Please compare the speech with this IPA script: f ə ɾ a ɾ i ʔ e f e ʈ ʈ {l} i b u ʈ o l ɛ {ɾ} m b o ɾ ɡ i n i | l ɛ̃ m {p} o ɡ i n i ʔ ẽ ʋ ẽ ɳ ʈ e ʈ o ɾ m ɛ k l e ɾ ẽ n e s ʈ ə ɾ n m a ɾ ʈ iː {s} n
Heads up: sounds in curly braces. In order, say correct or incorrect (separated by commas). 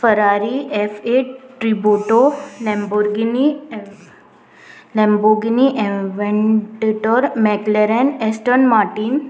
incorrect, incorrect, incorrect, incorrect